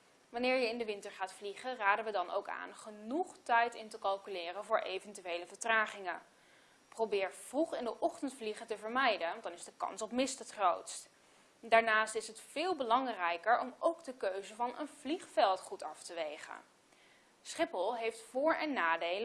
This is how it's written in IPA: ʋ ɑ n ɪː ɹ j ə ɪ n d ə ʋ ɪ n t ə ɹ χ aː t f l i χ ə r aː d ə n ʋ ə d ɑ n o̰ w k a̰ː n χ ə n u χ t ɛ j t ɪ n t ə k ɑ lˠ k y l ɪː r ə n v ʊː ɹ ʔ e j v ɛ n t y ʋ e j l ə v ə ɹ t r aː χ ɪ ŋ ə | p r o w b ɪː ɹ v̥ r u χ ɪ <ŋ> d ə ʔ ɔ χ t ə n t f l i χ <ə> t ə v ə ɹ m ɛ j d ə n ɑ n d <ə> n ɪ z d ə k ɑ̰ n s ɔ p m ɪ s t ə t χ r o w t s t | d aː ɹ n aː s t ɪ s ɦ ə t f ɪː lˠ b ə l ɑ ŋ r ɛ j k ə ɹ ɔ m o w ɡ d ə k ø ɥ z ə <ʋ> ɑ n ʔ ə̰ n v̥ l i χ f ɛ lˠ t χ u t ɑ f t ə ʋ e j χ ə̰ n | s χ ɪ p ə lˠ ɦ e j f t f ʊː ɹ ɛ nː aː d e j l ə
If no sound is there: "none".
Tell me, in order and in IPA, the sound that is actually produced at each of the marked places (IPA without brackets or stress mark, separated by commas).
n, ə, ɑ, v